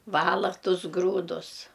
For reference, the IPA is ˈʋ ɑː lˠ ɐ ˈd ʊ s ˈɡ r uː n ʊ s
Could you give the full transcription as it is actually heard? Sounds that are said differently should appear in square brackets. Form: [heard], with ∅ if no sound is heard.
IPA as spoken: ˈʋ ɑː lˠ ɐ [ˈt] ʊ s ˈɡ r uː [d] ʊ s